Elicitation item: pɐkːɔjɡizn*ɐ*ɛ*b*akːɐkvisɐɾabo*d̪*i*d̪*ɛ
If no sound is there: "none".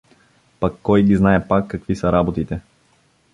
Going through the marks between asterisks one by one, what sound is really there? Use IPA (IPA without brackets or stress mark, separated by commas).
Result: a, p, t̪, t̪